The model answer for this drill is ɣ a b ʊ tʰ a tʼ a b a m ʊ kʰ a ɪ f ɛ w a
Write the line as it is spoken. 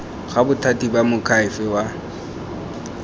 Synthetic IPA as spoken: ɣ a b ʊ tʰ a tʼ i b a m ʊ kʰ a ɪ f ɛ w a